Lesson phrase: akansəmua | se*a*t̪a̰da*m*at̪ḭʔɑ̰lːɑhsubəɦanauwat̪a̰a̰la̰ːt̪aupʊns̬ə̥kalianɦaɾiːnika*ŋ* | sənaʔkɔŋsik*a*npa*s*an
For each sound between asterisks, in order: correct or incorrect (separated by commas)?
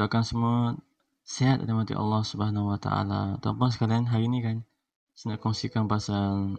correct, correct, incorrect, correct, correct